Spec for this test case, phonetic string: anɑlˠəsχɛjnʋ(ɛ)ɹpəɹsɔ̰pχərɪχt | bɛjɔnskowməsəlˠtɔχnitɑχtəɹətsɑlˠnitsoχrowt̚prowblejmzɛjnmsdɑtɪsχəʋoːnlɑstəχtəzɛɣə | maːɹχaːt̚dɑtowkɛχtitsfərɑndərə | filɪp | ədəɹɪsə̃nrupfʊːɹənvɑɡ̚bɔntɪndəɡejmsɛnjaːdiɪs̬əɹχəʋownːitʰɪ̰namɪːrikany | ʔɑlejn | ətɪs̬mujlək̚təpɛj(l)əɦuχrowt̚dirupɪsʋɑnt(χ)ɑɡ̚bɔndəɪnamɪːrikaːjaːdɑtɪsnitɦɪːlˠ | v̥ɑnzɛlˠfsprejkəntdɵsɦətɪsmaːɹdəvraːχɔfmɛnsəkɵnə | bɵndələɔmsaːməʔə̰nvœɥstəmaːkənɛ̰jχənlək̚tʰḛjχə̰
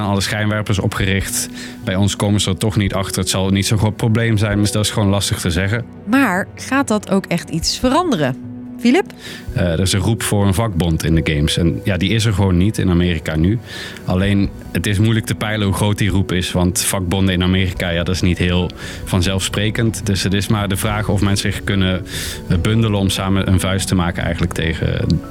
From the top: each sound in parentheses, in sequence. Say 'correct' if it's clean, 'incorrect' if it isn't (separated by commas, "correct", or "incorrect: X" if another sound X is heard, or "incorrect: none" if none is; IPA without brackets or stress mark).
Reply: correct, correct, incorrect: f